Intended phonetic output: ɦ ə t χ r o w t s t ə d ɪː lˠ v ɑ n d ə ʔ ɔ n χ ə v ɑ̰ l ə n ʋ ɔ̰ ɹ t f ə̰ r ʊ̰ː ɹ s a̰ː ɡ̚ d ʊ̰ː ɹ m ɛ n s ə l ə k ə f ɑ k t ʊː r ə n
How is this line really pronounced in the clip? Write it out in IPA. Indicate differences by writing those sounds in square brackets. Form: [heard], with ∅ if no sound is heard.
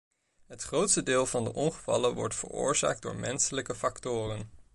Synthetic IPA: ɦ ə t χ r o w t s t ə d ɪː lˠ v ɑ n d ə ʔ ɔ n χ ə v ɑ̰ l ə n ʋ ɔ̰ ɹ t f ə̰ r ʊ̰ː ɹ [z] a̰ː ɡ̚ d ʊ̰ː ɹ m ɛ n s ə l ə k ə f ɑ k t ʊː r ə n